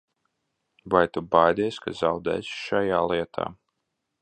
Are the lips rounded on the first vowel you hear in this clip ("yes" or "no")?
no